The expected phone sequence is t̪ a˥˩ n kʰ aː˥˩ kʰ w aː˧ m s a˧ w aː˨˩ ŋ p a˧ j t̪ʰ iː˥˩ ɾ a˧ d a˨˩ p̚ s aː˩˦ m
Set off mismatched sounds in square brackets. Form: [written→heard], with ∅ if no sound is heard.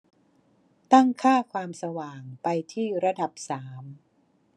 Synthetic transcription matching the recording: t̪ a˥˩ [n→ŋ] kʰ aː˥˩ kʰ w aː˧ m s a˧ w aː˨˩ ŋ p a˧ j t̪ʰ iː˥˩ ɾ a˧ d a˨˩ p̚ s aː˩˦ m